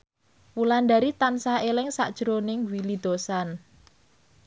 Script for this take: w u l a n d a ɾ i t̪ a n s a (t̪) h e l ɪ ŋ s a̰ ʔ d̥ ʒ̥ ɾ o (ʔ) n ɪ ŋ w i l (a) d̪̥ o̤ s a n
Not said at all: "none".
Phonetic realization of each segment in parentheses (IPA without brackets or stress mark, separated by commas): none, none, i